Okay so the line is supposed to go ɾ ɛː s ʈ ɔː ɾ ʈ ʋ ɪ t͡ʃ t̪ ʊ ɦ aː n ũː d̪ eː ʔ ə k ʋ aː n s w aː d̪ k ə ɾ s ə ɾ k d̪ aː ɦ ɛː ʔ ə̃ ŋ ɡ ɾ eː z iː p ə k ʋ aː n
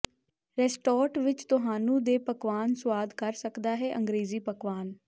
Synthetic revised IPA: ɾ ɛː s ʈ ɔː ɾ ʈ ʋ ɪ t͡ʃ t̪ ʊ ɦ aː n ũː d̪ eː p ə k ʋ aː n s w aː d̪ k ə ɾ s ə k d̪ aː ɦ ɛː ʔ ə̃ ŋ ɡ ɾ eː z iː p ə k ʋ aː n